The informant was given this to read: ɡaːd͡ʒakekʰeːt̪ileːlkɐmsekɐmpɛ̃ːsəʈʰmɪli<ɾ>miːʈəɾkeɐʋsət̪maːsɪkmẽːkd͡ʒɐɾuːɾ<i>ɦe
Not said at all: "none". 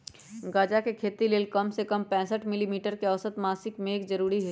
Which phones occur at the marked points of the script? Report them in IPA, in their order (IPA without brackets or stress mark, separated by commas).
none, i